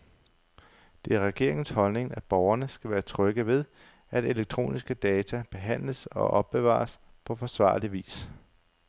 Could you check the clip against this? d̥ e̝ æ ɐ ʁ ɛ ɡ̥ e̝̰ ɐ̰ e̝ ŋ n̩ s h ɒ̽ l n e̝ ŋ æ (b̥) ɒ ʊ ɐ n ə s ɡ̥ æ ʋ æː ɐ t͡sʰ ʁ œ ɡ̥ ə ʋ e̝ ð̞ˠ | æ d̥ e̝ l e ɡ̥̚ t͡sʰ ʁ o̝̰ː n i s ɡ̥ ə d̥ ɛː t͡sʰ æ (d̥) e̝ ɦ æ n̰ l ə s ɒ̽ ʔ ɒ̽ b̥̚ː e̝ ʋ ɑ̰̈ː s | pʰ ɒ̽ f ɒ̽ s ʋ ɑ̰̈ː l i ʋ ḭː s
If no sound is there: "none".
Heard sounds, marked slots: b̥, b̥

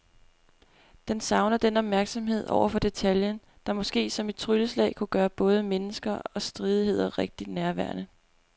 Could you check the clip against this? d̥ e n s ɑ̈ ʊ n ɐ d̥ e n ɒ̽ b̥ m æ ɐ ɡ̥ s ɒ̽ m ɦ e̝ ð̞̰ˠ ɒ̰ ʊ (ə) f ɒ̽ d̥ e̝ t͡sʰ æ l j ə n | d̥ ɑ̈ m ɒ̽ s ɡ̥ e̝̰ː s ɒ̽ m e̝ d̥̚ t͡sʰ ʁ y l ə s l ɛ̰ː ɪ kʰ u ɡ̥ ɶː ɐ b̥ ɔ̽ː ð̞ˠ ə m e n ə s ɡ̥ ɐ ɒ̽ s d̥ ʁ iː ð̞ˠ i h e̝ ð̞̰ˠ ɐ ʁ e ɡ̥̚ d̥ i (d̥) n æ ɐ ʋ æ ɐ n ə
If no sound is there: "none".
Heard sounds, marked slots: ɐ, d̥

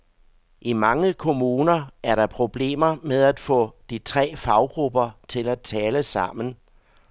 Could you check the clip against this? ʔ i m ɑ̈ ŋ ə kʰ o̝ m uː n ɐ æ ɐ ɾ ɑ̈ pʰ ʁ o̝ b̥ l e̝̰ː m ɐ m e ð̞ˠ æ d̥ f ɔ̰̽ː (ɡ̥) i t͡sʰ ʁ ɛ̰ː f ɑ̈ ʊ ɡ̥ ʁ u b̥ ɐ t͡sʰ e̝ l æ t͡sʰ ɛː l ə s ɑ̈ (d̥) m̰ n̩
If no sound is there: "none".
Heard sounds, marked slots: d̥, none

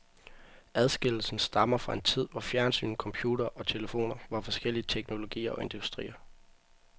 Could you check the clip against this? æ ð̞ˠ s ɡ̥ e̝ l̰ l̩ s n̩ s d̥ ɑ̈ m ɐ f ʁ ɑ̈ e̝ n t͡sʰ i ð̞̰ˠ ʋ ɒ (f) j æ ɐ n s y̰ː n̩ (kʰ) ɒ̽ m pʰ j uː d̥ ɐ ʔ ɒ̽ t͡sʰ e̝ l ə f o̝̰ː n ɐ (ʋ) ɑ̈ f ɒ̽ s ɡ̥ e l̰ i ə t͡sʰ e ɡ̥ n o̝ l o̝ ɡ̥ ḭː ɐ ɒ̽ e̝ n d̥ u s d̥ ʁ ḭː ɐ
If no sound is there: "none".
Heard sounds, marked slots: f, kʰ, ʋ

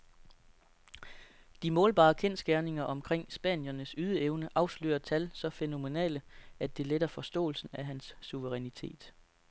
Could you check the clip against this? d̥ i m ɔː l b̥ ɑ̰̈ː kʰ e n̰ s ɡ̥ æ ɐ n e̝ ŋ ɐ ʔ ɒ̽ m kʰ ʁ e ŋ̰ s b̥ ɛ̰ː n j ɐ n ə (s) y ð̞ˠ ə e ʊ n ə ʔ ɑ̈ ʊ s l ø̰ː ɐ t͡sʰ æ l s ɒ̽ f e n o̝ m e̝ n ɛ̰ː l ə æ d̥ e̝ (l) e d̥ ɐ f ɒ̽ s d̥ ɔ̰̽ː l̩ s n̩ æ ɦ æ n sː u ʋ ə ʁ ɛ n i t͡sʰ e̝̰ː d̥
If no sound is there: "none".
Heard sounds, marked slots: s, l

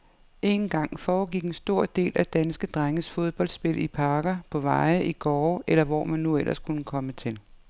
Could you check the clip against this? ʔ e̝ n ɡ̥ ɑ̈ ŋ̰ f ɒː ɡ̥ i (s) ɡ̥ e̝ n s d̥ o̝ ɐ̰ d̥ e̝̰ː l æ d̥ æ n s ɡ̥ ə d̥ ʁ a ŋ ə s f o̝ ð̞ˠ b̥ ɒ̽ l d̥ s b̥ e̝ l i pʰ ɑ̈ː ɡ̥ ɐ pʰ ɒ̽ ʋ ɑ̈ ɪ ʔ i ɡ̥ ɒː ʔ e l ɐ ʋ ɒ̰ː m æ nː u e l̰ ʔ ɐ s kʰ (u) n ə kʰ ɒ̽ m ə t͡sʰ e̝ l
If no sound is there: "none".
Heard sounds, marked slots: none, u

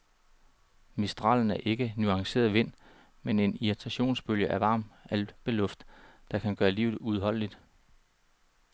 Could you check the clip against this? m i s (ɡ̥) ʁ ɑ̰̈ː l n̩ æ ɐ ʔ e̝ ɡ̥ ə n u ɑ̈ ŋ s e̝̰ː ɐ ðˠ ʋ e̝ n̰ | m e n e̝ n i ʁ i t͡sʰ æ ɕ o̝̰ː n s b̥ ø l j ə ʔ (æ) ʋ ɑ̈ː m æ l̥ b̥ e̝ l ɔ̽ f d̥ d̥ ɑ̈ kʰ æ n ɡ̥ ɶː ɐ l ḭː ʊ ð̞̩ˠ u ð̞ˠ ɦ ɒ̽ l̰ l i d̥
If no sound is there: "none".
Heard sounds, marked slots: d̥, æ

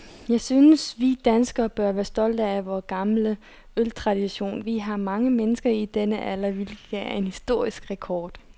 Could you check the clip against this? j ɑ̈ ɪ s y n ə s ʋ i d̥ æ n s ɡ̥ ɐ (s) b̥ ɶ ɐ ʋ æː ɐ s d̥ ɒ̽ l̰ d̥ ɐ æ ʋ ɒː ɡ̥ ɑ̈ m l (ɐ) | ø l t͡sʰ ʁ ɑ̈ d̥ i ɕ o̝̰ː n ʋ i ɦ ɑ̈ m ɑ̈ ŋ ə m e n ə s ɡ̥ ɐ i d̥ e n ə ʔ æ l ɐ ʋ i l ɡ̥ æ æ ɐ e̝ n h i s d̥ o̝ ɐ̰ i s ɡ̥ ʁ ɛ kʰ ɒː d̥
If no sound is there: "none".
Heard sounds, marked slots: none, ə

